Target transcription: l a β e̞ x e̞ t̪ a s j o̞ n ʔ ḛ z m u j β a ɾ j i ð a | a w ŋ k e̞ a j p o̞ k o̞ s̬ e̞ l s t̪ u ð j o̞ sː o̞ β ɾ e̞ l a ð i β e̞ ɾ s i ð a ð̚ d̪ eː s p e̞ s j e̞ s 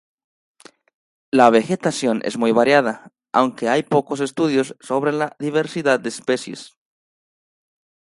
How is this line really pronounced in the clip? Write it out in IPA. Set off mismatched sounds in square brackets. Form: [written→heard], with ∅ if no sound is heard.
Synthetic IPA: l a β e̞ x e̞ t̪ a s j o̞ n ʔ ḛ z m u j β a ɾ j [i→a] ð a | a w ŋ k e̞ a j p o̞ k o̞ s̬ e̞ [l→∅] s t̪ u ð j o̞ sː o̞ β ɾ e̞ l a ð i β e̞ ɾ s i ð a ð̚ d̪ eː s p e̞ s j e̞ s